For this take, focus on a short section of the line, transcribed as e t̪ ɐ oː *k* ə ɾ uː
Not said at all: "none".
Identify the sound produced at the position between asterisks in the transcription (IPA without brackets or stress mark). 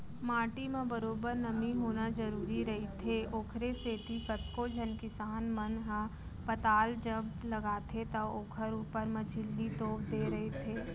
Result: kʰ